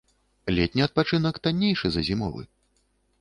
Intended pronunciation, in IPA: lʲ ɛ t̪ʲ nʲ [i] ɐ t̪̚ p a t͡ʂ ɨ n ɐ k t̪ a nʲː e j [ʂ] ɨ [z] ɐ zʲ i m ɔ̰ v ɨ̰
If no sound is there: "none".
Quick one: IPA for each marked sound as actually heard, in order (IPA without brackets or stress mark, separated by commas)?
i, ʂ, z